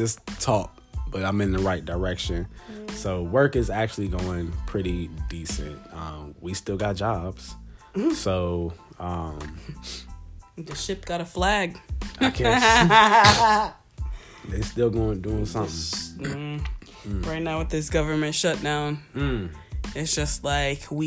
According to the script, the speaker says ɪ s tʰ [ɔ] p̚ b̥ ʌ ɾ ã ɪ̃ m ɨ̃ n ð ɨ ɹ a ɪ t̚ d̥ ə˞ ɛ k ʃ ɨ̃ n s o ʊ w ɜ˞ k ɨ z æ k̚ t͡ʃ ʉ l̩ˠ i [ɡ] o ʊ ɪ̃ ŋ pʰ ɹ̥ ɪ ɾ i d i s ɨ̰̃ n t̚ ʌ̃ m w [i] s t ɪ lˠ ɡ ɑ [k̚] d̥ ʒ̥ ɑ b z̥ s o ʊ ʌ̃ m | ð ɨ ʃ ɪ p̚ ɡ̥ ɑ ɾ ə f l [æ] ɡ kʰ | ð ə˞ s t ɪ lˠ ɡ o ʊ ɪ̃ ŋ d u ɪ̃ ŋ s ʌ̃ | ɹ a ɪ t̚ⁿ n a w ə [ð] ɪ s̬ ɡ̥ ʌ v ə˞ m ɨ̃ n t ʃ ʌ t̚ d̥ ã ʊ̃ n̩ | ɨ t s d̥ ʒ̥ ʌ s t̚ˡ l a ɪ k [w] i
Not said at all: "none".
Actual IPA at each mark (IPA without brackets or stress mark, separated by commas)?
ɔ, ɡ, i, t̚, æ, ð, w